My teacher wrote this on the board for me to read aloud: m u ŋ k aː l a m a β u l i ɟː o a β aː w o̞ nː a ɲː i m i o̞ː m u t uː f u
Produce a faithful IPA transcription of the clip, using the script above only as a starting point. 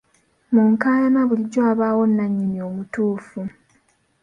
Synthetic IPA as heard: m u ŋ k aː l a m a β u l i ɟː o a β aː w o̞ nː a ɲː i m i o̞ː m u t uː f u